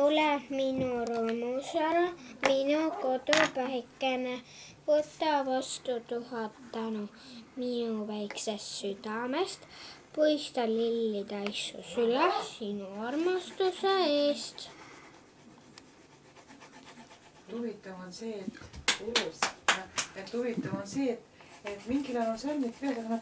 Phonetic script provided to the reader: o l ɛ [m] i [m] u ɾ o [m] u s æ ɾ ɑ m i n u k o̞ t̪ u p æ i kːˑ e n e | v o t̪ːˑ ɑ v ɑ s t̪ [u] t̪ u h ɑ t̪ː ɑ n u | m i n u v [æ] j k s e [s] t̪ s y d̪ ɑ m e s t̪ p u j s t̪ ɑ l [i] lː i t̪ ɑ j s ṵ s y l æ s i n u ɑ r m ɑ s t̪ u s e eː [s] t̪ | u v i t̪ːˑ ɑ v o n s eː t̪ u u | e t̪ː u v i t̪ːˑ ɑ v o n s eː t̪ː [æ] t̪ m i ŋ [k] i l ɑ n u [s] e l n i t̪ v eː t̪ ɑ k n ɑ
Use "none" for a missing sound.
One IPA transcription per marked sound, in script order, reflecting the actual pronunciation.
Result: m, n, m, u, æ, s, i, s, e, ɡ, s

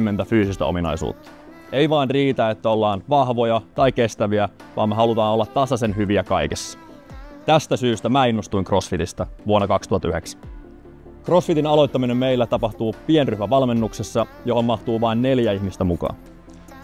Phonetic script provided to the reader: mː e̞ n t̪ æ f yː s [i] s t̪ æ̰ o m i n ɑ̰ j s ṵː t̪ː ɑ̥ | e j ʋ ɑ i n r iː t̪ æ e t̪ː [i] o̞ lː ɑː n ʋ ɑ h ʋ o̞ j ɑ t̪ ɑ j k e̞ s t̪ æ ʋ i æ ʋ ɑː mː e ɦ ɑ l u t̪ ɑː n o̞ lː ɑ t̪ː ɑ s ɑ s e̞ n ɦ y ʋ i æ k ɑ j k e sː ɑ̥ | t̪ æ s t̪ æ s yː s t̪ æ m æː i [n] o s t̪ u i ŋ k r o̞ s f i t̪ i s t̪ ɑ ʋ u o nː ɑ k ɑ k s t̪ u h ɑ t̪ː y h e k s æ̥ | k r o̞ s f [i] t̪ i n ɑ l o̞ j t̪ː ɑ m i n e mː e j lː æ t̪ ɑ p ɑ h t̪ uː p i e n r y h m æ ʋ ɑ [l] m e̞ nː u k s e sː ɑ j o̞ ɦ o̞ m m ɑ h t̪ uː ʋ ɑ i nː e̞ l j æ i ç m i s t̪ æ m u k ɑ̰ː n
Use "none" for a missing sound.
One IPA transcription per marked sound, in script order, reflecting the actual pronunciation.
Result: i, æ, nː, i, l

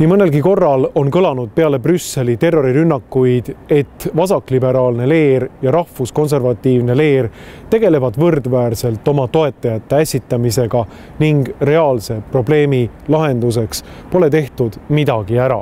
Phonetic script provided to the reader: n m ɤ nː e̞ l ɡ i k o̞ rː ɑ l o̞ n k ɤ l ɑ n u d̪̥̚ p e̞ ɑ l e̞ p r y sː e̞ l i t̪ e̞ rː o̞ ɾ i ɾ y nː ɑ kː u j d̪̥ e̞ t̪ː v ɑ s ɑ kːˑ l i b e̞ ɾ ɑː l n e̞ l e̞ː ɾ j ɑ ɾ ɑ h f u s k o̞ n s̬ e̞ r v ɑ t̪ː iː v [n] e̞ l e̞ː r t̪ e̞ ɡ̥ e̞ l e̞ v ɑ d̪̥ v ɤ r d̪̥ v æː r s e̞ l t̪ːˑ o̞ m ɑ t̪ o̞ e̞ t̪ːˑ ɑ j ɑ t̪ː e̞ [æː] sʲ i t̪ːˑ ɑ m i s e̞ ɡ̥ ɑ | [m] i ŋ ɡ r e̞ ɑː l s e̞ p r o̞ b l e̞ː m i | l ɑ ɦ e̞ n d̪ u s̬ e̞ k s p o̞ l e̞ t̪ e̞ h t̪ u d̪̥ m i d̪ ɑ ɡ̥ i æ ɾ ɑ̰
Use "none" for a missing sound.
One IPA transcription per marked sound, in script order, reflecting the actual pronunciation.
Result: n, æ, n

